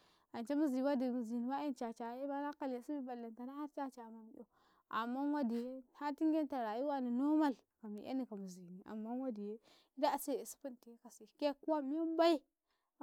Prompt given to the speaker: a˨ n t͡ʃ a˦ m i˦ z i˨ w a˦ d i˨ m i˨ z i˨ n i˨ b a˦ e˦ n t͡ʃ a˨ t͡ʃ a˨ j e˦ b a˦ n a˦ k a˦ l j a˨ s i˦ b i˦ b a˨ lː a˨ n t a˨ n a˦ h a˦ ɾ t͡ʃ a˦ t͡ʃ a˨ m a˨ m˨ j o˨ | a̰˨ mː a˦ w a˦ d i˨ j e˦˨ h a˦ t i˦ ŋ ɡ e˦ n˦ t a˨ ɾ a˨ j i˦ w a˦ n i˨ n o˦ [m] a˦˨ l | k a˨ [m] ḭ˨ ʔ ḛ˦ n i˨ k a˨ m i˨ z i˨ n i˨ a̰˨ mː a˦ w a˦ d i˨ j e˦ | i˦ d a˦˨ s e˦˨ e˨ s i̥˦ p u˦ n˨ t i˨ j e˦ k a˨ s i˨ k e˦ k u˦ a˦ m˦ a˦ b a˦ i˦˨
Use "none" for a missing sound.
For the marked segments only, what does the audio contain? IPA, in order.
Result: m, m

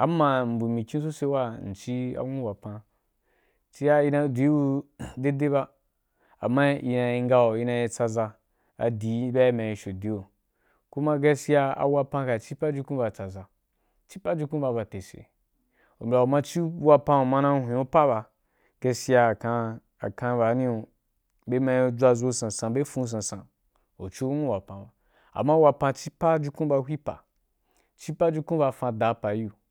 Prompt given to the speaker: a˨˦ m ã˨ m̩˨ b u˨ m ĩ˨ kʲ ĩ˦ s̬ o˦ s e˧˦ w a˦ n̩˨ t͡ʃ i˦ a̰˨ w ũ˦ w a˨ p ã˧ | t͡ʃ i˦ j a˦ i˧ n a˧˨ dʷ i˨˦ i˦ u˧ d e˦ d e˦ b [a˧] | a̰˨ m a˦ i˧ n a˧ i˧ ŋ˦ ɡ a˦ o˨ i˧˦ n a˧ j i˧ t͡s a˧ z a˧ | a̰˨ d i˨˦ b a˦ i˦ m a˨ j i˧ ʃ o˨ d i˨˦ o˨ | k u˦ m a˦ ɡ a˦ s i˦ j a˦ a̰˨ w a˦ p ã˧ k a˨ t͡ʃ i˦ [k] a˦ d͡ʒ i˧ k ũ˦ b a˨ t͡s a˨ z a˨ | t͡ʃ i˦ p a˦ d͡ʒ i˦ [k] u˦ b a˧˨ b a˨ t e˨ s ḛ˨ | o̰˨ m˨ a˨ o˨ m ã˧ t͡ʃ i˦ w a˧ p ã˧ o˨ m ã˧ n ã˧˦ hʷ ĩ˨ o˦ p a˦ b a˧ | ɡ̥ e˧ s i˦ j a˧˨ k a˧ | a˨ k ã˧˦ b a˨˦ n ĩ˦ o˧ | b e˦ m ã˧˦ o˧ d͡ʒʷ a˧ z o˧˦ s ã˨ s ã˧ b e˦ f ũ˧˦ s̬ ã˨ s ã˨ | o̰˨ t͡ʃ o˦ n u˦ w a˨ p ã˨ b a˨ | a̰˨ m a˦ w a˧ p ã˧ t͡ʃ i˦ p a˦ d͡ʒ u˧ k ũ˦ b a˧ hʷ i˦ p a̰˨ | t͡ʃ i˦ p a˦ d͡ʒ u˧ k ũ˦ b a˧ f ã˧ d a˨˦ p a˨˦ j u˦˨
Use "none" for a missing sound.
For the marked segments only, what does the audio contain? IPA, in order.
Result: a˧, p, k

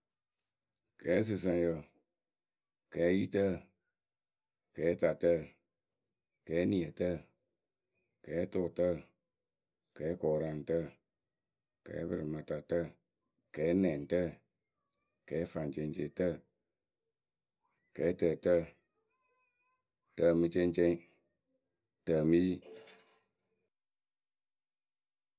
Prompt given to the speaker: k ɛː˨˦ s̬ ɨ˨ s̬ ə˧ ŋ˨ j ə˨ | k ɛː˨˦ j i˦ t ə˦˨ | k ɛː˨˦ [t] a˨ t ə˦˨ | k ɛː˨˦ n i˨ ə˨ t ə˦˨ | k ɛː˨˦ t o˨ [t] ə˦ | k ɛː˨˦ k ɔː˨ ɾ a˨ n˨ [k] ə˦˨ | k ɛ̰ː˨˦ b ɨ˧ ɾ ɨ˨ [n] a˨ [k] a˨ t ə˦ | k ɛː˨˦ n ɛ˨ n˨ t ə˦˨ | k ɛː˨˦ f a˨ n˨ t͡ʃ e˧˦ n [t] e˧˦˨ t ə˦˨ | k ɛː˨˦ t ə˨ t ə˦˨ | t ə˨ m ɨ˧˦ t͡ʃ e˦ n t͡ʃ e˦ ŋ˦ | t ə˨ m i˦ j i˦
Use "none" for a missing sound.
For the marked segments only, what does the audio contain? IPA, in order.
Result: t, t, t, m, t, t͡ʃ

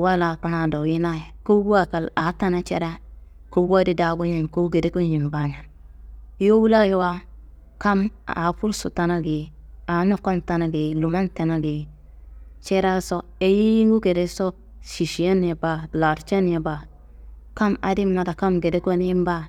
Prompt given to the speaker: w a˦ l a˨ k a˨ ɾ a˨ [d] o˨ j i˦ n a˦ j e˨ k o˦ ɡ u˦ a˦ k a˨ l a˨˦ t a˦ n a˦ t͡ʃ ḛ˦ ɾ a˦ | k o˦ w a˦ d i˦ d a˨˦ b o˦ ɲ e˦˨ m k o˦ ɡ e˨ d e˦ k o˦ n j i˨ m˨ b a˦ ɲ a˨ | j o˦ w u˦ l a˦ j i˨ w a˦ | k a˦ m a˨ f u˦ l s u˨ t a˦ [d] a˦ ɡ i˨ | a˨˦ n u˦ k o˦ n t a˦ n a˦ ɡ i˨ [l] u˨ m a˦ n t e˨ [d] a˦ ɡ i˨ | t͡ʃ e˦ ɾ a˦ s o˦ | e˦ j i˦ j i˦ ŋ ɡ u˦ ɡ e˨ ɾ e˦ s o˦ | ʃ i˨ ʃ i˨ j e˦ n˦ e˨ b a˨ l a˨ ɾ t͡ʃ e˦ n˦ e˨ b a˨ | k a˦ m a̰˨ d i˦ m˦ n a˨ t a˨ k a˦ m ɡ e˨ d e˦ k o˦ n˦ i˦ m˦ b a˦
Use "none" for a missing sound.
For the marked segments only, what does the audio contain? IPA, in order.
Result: d, n, l, n

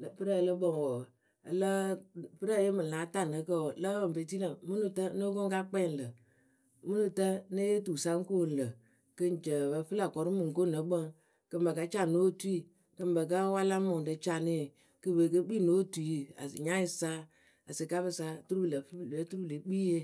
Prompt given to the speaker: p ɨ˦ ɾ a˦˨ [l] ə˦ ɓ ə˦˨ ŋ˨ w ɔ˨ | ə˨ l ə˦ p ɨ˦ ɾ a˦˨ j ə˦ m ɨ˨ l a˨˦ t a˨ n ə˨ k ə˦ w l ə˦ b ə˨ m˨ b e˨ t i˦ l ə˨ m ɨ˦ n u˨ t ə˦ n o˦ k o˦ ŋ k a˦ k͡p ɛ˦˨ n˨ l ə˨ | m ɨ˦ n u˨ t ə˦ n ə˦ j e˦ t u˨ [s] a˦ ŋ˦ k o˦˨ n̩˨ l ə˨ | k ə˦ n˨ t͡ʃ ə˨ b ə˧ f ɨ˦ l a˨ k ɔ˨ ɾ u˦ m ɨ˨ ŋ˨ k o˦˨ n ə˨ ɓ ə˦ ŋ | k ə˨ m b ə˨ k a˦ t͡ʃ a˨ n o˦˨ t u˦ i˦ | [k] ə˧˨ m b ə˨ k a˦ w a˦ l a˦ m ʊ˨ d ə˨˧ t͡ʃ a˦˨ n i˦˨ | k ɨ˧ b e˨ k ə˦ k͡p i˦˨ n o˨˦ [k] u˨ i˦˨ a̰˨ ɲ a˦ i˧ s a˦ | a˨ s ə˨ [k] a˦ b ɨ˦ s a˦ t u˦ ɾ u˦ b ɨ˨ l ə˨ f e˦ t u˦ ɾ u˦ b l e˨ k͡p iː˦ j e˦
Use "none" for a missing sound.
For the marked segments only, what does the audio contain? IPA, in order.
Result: l, s, k, t, k

